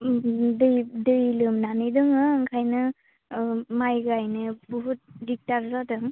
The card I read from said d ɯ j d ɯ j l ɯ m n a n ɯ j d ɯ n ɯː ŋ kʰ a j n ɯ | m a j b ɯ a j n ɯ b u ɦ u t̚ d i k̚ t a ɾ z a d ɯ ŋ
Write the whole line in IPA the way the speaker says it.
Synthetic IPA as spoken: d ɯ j d ɯ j l ɯ m n a n ɯ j d ɯ ŋ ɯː ŋ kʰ a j n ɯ | m a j ɡ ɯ a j n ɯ b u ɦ u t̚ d i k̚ t a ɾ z a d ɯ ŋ